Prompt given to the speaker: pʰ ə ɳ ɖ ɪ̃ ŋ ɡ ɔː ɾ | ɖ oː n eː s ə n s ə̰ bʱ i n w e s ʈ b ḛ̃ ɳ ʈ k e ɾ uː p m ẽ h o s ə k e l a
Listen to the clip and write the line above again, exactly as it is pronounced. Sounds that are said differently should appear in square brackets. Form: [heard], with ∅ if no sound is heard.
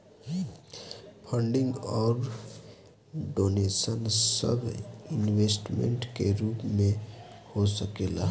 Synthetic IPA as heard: pʰ ə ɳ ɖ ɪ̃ ŋ ɡ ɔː ɾ | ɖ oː n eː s ə n s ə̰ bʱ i n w e s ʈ [m] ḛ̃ ɳ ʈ k e ɾ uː p m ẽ h o s ə k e l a

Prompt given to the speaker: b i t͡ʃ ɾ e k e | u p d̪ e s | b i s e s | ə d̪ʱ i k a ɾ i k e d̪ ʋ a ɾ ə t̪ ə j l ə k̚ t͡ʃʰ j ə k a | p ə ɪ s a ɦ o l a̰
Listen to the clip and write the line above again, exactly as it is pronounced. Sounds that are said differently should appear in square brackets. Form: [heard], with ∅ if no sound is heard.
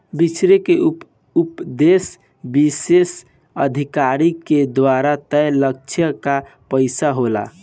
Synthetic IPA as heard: b i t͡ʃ ɾ e k e | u p d̪ e s | b i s e s | ə d̪ʱ i k a ɾ i k e d̪ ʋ a ɾ [a] t̪ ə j l ə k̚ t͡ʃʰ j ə k a | p ə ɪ s a ɦ o l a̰

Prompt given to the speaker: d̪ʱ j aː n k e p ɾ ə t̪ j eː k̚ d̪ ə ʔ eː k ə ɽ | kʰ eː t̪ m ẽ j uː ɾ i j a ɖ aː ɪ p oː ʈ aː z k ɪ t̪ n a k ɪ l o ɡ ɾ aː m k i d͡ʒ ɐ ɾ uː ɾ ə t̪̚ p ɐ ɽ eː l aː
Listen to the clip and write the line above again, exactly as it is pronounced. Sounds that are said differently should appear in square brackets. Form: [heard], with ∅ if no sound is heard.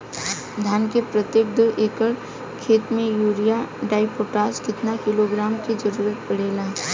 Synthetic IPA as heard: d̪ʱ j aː n k e p ɾ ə t̪ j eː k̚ d̪ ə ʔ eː k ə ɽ | kʰ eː t̪ m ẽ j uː ɾ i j a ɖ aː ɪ p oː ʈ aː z k ɪ t̪ n a k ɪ l o ɡ ɾ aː m k i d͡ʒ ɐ ɾ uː ɾ ə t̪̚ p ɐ ɽ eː l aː

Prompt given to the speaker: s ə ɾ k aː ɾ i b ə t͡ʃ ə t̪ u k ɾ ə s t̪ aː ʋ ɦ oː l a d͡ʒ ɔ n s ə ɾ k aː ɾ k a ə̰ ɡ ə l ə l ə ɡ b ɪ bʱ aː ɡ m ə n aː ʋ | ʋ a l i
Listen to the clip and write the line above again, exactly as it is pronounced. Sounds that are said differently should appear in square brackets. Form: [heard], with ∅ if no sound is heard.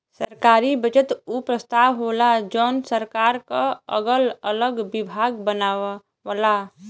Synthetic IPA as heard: s ə ɾ k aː ɾ i b ə t͡ʃ ə t̪ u [p] ɾ ə s t̪ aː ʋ ɦ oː l a d͡ʒ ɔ n s ə ɾ k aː ɾ k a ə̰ ɡ ə l ə l ə ɡ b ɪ bʱ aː ɡ [b] ə n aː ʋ | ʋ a l [a]

